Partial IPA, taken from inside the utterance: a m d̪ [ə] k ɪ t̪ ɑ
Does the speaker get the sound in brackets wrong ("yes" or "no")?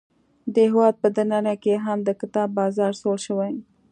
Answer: no